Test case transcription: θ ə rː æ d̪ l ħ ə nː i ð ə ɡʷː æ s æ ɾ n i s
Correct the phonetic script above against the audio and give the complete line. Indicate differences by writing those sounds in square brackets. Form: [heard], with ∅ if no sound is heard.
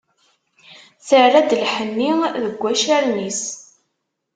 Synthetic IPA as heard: θ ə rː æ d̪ l ħ ə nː i ð ə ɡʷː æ [ʃ] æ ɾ n i s